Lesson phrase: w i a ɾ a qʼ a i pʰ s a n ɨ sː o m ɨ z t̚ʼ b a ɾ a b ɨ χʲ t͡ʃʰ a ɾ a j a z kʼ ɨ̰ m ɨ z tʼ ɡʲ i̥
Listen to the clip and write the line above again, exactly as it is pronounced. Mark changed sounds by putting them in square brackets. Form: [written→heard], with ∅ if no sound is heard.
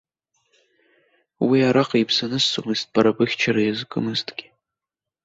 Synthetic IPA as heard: w i a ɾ a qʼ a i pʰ s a n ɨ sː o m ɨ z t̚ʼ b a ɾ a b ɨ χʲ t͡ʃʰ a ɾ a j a z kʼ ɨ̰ m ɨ z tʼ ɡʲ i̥